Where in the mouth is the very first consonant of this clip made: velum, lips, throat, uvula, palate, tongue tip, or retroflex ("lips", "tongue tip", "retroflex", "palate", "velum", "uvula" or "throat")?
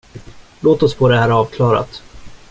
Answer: tongue tip